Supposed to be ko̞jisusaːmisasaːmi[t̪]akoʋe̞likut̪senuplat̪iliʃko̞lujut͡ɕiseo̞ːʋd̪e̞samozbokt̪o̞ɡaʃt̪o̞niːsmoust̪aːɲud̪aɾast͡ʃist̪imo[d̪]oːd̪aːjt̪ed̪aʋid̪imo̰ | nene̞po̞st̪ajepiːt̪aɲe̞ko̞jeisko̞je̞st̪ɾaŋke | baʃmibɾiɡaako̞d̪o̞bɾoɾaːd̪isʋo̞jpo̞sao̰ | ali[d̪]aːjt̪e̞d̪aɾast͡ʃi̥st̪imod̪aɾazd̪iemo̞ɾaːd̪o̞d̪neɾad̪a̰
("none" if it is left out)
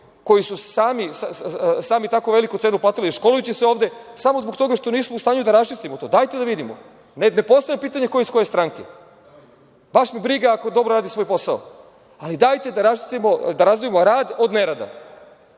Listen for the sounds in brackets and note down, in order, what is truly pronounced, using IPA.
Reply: t̪, t̪, d̪

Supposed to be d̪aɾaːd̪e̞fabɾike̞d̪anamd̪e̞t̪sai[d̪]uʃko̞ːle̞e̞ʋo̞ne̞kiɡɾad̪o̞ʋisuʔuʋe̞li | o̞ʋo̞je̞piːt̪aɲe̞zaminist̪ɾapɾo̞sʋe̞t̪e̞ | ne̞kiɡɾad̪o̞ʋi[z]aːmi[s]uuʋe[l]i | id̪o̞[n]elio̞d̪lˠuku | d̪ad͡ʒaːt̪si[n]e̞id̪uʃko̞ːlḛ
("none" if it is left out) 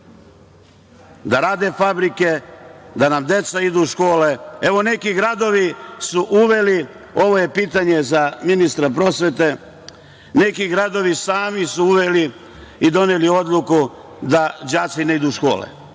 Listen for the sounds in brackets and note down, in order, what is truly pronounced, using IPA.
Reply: d̪, s, s, l, n, n

